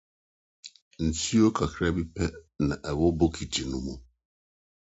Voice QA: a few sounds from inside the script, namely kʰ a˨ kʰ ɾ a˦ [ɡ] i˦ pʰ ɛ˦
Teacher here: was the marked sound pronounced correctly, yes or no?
no